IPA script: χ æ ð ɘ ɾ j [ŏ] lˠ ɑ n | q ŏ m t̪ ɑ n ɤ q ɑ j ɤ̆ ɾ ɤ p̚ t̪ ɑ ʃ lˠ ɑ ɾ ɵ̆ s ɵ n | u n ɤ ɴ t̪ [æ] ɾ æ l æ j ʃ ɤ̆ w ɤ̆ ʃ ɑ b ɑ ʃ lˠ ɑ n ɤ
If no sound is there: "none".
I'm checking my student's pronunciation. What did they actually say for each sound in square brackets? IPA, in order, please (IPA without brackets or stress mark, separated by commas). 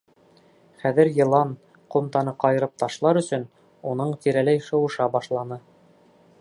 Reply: ɤ̆, i